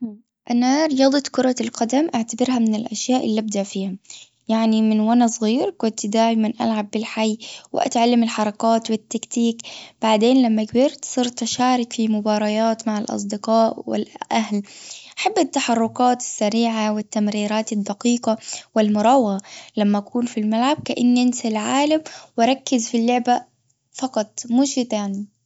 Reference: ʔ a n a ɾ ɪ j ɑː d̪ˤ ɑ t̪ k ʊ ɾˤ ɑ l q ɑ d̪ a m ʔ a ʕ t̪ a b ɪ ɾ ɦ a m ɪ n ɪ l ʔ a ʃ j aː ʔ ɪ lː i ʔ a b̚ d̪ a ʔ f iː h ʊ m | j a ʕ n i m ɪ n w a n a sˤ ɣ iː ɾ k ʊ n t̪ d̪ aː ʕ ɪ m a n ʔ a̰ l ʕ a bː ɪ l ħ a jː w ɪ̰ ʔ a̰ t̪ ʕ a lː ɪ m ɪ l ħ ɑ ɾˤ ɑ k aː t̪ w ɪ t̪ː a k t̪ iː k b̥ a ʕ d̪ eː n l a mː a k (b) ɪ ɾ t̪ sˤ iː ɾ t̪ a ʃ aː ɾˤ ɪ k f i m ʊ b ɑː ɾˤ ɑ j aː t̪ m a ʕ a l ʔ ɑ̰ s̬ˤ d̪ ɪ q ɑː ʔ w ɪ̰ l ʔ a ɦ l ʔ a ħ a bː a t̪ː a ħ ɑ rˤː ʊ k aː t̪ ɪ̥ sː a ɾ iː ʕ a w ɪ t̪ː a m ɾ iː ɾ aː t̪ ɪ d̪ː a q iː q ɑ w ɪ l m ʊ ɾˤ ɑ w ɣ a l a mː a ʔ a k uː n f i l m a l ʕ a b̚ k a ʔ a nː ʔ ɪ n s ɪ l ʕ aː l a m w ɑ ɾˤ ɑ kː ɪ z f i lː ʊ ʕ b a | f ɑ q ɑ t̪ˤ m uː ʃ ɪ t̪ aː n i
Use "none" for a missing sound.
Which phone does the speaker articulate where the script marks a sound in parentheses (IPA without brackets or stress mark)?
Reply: b